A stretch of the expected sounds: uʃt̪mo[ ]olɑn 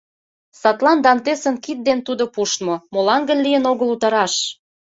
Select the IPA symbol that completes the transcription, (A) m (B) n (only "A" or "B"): A